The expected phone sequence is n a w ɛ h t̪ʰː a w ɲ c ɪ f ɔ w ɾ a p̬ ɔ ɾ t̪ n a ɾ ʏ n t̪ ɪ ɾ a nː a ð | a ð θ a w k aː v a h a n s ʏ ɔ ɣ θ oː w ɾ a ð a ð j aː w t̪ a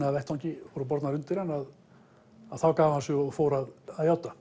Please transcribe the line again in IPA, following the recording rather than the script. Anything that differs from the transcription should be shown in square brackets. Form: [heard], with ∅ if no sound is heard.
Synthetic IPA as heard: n a [v] ɛ h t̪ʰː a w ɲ c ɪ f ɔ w ɾ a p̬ ɔ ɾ t̪ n a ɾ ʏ n t̪ ɪ ɾ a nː a ð | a ð θ a w k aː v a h a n s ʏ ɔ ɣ [f] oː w ɾ a ð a ð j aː w t̪ a